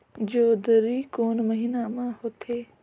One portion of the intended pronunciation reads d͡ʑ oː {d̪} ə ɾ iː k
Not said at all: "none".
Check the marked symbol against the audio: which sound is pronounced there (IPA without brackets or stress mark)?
d̪